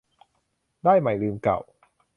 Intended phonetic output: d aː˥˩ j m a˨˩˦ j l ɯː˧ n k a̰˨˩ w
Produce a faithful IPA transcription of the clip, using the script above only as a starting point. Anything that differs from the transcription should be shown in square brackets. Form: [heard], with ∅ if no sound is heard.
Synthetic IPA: d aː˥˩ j m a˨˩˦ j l ɯː˧ [m] k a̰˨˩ w